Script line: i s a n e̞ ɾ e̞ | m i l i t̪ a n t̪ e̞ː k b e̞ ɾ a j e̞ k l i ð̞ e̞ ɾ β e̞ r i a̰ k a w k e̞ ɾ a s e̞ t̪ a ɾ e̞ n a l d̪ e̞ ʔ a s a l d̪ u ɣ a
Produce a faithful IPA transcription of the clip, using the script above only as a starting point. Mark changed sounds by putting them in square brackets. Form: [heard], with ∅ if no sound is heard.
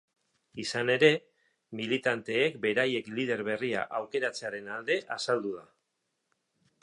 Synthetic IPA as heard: i s a n e̞ ɾ e̞ | m i l i t̪ a n t̪ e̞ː k b e̞ ɾ a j e̞ k l i ð̞ e̞ ɾ β e̞ r i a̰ [ʔ] a w k e̞ ɾ a [t͡s] e̞ [∅] a ɾ e̞ n a l d̪ e̞ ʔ a s a l d̪ u [ð] a

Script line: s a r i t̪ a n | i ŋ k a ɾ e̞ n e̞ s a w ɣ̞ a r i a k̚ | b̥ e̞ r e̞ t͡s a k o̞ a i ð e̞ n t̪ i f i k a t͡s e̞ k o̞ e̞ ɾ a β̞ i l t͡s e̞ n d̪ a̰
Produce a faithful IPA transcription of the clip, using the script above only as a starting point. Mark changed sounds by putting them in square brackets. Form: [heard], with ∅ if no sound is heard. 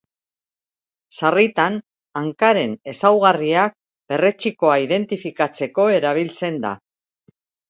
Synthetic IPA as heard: s a r i t̪ a n | [a] ŋ k a ɾ e̞ n e̞ s a w ɣ̞ a r i a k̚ | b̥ e̞ r e̞ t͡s [i] k o̞ a i ð e̞ n t̪ i f i k a t͡s e̞ k o̞ e̞ ɾ a β̞ i l t͡s e̞ n d̪ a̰

